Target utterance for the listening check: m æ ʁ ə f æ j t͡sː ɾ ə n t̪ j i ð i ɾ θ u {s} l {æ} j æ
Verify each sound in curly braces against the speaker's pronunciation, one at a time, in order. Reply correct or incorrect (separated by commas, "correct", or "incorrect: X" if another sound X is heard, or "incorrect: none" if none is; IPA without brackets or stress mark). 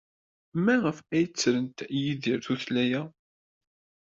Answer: incorrect: θ, correct